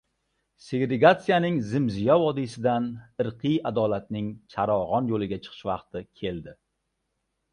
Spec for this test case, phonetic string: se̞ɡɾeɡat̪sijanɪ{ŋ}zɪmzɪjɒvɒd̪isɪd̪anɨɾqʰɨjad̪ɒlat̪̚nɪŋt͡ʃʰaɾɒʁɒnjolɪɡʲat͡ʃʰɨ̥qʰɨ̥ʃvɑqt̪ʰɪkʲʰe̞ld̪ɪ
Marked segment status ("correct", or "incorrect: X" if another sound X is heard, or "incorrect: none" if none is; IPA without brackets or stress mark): correct